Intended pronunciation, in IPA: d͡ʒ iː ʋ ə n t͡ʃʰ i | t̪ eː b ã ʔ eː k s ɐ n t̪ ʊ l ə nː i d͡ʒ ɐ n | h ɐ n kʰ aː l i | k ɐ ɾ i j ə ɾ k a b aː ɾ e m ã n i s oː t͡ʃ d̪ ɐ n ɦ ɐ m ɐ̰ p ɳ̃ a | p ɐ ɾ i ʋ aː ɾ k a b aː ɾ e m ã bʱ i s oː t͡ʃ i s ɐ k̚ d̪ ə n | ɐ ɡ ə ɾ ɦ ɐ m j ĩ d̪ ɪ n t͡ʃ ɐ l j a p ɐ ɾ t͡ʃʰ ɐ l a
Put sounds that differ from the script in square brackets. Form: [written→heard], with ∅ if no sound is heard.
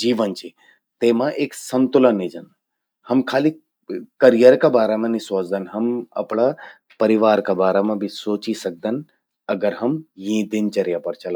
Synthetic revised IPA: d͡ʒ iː ʋ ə n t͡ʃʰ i | t̪ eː [b→m] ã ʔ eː k s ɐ n t̪ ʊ l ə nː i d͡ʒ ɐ n | h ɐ [n→m] kʰ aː l i | k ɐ ɾ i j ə ɾ k a b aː ɾ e m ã n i s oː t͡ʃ d̪ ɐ n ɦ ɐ m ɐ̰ p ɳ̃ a | p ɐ ɾ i ʋ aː ɾ k a b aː ɾ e m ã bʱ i s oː t͡ʃ i s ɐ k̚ d̪ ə n | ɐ ɡ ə ɾ ɦ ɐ m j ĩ d̪ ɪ n t͡ʃ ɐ [l→ɾ] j a p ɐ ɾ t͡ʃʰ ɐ l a